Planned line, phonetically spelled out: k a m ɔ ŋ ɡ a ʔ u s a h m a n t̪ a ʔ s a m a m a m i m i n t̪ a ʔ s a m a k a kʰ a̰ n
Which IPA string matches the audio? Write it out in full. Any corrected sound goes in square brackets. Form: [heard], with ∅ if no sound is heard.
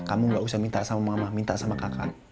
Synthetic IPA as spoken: k a m [u] ŋ ɡ a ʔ u s a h m [i] n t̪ a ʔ s a m a m a m [a] m i n t̪ a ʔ s a m a k a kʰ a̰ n